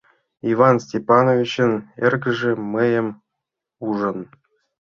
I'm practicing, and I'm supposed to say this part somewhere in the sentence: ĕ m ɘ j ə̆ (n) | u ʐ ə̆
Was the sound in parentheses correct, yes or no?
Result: no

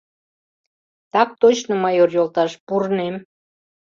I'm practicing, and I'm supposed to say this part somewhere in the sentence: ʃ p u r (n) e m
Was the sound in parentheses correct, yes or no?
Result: yes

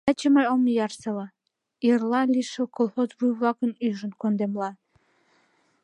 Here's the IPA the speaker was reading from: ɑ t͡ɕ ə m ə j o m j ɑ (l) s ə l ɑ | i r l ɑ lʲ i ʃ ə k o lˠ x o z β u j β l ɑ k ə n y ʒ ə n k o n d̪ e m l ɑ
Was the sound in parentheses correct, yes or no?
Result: no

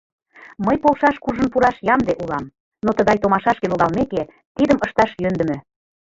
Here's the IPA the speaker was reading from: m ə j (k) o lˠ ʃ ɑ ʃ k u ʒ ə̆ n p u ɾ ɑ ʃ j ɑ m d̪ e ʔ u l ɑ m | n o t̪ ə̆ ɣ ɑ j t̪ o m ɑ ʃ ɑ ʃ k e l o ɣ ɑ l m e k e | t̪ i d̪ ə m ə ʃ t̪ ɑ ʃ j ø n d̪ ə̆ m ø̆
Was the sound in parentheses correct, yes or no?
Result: no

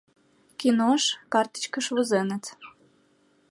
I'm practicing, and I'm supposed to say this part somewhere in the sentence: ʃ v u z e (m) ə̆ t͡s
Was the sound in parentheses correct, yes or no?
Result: no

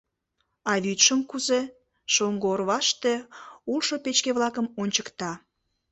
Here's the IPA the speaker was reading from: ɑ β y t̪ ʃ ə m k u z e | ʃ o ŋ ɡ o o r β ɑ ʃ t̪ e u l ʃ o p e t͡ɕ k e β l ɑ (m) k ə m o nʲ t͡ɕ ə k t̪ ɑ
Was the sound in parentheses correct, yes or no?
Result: no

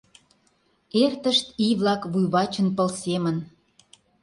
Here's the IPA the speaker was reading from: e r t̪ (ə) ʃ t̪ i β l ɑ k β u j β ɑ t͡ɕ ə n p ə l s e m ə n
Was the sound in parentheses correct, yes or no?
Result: yes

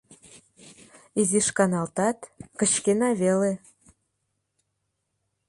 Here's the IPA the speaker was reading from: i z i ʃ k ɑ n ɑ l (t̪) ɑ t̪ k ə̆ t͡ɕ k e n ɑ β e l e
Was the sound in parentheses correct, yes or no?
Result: yes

